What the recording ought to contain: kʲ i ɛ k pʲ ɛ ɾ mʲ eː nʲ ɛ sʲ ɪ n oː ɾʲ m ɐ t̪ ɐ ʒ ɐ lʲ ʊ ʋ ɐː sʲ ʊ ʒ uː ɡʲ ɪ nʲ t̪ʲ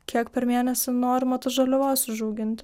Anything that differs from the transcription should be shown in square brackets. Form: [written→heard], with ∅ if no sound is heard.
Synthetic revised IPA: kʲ i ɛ k pʲ ɛ ɾ mʲ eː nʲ ɛ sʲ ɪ n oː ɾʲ m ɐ t̪ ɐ ʒ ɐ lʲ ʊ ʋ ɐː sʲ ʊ ʒ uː ɡʲ ɪ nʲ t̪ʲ